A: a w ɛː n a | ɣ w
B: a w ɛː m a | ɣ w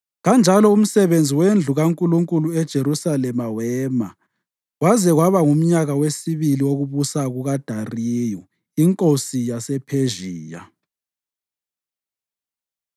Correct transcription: B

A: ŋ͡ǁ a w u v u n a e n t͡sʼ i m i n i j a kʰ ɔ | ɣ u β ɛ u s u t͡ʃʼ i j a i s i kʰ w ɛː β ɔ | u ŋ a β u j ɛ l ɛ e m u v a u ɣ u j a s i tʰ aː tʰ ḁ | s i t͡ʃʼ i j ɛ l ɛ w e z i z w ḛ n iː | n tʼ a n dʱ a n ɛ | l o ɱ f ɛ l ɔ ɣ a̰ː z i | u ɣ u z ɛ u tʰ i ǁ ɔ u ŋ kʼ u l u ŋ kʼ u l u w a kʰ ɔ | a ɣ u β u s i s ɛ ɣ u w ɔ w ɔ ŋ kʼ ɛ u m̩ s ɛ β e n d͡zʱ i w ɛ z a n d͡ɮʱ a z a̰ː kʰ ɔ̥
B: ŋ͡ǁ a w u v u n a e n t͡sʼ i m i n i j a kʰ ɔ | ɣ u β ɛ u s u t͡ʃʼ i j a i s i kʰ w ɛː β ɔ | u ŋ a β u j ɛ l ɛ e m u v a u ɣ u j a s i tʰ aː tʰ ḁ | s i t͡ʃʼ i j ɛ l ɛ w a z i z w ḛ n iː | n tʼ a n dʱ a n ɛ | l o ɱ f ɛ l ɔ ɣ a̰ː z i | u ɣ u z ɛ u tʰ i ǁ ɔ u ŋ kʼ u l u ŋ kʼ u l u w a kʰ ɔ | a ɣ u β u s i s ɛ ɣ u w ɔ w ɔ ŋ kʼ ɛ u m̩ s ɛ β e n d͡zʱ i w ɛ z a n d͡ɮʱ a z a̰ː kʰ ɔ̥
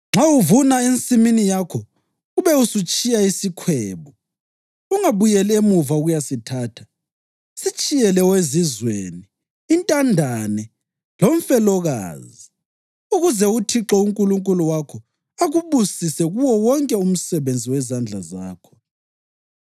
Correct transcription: A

